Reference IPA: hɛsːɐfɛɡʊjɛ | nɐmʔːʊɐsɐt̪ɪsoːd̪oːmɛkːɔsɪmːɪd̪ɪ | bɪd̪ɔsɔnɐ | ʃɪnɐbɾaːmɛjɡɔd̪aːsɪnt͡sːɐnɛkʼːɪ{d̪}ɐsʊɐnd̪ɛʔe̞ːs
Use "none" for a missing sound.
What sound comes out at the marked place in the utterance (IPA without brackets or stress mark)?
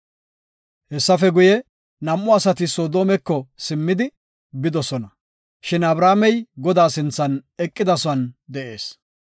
d̪